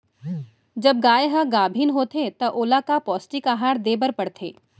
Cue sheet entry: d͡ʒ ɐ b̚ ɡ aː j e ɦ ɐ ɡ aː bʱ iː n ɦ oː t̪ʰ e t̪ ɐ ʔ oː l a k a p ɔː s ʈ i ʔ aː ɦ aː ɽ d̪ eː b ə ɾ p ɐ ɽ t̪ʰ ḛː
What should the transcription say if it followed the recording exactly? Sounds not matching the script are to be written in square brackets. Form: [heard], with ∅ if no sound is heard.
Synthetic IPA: d͡ʒ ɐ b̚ ɡ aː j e ɦ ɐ ɡ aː bʱ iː n ɦ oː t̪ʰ e t̪ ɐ ʔ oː l a k a p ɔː s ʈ i [k] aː ɦ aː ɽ d̪ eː b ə ɾ p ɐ ɽ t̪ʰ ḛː